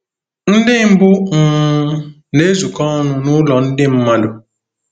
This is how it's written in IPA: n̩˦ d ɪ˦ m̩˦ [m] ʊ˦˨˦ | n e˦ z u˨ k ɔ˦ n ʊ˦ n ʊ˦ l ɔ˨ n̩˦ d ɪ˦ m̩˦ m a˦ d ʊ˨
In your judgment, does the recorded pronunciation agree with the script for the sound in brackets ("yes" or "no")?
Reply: no